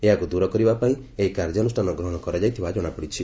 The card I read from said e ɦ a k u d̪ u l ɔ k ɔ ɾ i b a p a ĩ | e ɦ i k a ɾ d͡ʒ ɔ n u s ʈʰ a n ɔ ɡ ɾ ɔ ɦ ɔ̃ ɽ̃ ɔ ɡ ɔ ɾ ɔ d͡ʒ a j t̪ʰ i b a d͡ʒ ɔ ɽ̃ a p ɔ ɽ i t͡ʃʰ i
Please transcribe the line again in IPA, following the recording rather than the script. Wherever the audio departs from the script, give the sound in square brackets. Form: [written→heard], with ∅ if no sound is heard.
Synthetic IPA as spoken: e ɦ a k u d̪ u [l→ɾ] ɔ k ɔ ɾ i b a p a ĩ | e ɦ i k a ɾ d͡ʒ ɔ n u s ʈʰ a n ɔ ɡ ɾ ɔ ɦ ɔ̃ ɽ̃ ɔ [ɡ→k] ɔ ɾ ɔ d͡ʒ a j t̪ʰ i b a d͡ʒ ɔ ɽ̃ a p ɔ ɽ i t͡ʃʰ i